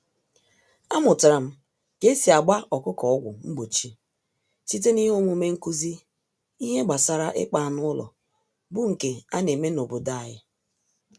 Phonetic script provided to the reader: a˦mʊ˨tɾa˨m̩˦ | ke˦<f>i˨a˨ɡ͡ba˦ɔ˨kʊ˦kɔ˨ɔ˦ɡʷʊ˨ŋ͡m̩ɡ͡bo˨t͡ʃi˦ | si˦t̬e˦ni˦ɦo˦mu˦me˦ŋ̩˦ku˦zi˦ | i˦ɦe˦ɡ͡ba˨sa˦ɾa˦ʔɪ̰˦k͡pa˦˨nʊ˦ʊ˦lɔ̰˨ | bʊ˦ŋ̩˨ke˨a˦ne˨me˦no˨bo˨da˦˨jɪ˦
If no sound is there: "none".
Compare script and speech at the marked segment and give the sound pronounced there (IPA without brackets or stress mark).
s